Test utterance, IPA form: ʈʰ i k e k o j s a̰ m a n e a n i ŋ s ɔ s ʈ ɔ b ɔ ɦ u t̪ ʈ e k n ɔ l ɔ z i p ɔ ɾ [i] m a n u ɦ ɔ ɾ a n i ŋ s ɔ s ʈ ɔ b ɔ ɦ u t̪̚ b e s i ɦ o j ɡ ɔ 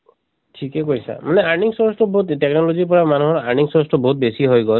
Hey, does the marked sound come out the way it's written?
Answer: no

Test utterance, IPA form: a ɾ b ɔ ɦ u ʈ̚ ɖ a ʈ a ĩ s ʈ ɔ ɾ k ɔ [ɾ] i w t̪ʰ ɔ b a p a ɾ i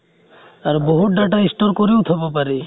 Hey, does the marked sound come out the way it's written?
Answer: yes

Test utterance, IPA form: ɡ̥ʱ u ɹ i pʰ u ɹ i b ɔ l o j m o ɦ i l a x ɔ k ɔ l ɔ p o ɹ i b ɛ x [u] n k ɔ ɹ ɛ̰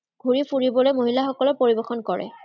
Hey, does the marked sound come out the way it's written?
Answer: no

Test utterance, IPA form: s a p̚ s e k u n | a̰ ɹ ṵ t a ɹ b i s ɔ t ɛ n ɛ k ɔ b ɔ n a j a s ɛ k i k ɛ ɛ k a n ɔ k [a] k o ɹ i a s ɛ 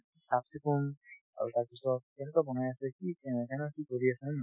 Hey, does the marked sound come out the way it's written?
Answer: no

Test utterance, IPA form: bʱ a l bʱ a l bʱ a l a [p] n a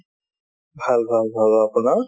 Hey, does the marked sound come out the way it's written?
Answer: yes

